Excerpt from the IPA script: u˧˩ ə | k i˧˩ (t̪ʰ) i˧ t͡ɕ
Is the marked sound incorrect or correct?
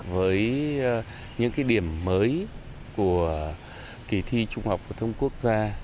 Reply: correct